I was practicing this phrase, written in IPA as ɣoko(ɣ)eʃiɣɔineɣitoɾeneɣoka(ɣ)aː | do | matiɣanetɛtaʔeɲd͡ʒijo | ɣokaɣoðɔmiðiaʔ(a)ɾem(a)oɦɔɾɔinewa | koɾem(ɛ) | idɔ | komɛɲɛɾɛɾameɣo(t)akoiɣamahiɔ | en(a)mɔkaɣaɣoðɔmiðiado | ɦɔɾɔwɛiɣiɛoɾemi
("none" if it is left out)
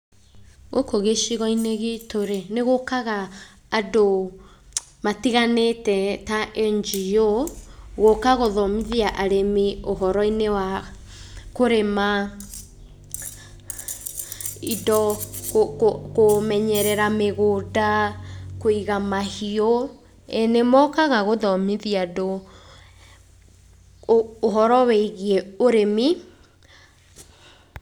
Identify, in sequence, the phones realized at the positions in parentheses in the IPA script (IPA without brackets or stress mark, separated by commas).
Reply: ɣ, ɣ, a, i, a, d, e